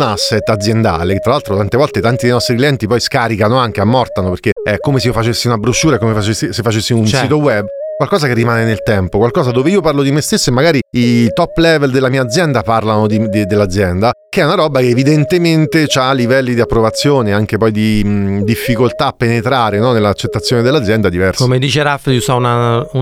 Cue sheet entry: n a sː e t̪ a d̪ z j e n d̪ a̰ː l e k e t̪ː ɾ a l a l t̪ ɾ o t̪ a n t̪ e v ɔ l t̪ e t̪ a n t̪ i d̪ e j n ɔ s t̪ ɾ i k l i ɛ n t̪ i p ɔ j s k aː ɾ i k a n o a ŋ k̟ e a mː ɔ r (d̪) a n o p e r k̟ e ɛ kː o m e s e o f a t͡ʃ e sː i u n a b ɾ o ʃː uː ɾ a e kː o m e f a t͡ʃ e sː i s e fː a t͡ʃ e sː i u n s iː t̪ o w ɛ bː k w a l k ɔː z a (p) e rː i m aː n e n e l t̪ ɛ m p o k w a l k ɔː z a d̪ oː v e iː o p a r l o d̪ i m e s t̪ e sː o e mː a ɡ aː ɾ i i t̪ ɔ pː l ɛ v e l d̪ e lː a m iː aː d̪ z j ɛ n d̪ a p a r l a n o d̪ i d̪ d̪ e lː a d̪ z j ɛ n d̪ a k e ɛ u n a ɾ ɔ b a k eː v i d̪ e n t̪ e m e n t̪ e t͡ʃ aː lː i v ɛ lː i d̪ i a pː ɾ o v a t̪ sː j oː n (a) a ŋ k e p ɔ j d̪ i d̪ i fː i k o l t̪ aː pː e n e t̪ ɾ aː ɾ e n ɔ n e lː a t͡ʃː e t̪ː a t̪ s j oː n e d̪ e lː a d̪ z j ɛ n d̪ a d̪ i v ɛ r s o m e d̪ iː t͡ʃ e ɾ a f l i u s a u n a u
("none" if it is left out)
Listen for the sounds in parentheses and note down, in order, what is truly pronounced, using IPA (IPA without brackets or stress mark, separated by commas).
t̪, k, e